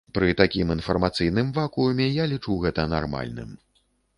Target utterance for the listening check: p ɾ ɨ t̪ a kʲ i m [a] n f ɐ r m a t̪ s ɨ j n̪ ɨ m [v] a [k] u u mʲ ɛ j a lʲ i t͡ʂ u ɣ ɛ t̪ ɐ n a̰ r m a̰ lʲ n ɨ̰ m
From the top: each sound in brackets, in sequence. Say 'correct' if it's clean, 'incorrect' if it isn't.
incorrect: i, correct, correct

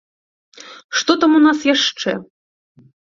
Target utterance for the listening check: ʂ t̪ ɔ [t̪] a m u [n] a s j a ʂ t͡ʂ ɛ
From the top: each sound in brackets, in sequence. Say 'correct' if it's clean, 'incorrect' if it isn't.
correct, correct

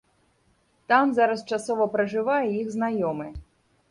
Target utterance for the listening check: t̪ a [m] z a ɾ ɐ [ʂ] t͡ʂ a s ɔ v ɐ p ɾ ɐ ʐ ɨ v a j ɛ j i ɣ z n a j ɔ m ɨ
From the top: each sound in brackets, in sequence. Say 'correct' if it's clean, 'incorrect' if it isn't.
correct, incorrect: s

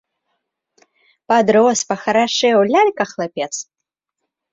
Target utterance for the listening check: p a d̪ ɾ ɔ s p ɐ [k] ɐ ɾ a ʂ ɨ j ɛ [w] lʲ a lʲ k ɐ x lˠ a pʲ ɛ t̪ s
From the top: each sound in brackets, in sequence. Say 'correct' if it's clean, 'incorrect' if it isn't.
incorrect: x, correct

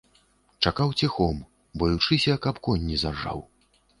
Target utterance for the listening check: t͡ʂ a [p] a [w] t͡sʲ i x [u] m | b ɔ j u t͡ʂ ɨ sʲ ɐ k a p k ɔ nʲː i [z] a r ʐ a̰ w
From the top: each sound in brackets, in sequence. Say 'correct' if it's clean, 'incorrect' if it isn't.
incorrect: k, correct, incorrect: ɔ, correct

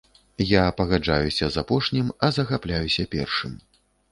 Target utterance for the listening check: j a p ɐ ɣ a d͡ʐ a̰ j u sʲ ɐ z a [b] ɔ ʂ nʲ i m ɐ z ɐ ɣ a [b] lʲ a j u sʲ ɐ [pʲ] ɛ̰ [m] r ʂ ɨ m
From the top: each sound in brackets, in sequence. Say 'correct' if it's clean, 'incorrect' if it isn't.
incorrect: p, incorrect: p, correct, incorrect: none

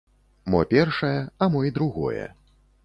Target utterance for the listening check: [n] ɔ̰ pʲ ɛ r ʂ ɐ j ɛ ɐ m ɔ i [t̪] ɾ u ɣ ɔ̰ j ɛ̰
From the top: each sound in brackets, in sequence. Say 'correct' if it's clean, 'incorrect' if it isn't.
incorrect: m, incorrect: d̪

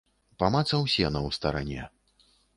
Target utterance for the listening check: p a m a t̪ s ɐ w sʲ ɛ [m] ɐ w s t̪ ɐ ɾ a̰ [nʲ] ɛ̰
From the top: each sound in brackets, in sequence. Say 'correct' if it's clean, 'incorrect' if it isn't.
incorrect: n, correct

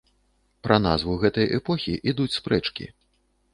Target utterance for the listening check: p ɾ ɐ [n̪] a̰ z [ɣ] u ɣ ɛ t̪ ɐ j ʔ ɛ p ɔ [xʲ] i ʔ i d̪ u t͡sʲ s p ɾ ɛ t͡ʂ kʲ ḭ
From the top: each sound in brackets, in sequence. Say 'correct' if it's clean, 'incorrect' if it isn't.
correct, incorrect: v, correct

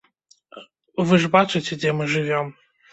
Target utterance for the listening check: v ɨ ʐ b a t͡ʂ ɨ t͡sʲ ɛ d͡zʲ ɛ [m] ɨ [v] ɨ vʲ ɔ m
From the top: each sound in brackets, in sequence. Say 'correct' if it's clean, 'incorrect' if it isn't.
correct, incorrect: ʐ

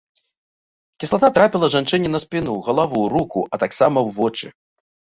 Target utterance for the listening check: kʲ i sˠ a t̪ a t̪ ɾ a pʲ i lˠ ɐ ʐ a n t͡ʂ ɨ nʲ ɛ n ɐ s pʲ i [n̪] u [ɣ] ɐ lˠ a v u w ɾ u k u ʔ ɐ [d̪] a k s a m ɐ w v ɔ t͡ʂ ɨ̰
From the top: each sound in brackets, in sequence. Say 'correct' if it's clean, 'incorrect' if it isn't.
correct, correct, incorrect: t̪

